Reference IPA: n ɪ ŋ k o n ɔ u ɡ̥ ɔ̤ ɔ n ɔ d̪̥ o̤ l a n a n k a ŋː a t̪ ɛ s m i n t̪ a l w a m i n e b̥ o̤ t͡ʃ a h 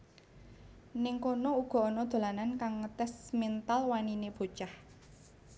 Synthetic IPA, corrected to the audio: n ɪ ŋ k o n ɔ u ɡ̥ ɔ̤ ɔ n ɔ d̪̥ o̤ l a n a n k a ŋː ə t̪ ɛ s m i n t̪ a l w a n i n e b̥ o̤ t͡ʃ a h